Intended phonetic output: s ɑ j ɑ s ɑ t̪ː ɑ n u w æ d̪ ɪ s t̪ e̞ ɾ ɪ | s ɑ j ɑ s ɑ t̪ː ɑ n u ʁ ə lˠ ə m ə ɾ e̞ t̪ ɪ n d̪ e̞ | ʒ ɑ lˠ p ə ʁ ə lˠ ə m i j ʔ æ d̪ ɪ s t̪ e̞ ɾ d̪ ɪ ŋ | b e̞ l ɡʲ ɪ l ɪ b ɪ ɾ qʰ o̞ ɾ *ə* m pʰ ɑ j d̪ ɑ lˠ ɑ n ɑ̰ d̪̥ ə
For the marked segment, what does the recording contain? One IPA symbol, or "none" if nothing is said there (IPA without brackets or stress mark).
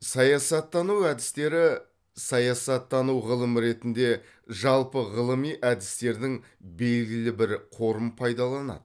ə